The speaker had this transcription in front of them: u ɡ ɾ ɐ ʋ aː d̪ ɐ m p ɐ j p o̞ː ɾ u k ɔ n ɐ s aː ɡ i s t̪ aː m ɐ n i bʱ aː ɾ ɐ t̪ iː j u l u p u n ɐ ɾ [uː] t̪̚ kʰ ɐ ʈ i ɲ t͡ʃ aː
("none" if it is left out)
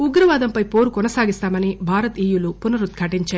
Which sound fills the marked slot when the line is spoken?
u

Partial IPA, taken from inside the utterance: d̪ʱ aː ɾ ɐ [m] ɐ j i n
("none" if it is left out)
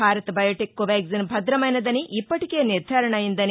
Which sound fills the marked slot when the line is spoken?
ɳ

